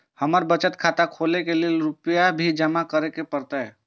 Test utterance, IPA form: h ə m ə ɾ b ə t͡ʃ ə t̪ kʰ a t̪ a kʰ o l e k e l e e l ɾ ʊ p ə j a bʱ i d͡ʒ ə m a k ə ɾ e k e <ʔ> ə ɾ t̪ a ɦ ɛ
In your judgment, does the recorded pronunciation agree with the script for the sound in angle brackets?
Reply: no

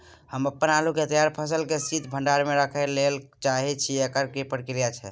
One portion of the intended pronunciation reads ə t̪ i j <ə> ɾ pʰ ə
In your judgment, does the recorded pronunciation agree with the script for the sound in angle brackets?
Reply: no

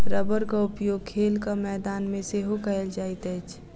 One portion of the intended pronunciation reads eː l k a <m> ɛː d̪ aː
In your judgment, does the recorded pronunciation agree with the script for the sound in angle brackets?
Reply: yes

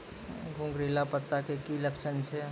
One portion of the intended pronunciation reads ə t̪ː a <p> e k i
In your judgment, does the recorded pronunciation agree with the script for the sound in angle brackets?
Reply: no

